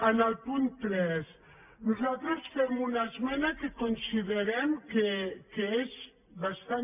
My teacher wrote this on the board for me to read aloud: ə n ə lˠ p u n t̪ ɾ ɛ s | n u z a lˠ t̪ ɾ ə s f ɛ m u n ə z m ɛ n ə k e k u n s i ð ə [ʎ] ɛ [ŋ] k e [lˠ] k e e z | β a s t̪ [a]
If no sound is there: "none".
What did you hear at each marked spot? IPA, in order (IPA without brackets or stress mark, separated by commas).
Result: ɾ, m, none, a